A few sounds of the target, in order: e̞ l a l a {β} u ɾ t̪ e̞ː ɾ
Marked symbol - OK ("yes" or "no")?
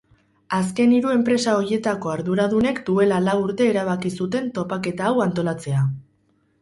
no